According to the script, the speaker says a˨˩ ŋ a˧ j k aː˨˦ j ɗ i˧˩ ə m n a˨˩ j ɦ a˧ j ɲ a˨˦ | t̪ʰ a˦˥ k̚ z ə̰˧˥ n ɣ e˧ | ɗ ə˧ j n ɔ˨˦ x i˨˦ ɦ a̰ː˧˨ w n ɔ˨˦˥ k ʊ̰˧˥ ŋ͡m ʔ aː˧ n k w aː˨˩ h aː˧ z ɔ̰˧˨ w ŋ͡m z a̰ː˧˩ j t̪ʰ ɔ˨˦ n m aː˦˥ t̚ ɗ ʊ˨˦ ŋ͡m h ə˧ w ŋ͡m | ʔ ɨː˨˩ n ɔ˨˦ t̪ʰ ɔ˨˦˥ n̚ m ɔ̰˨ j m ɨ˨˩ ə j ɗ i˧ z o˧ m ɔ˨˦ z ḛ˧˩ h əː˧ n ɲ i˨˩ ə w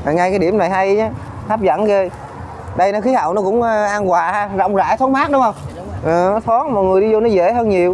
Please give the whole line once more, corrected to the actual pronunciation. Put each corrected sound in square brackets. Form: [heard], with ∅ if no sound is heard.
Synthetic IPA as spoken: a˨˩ ŋ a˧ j k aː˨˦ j ɗ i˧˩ ə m n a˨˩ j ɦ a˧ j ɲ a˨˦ | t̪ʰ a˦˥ [p̚] z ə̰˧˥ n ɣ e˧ | ɗ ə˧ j n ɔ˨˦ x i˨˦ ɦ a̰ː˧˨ w n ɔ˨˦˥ k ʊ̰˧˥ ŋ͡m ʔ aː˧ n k w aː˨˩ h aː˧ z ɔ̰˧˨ w ŋ͡m z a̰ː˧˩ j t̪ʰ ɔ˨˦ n m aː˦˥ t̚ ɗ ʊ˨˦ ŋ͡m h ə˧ w ŋ͡m | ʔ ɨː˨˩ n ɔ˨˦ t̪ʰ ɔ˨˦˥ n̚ m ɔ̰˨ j [ŋ] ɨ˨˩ ə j ɗ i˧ z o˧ [n] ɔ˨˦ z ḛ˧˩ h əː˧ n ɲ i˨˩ ə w